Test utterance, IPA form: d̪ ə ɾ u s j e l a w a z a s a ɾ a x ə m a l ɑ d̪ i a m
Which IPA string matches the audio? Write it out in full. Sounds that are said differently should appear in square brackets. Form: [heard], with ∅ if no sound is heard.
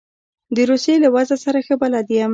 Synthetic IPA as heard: d̪ ə ɾ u s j e l a w a z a s a ɾ a x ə [b] a l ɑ d̪ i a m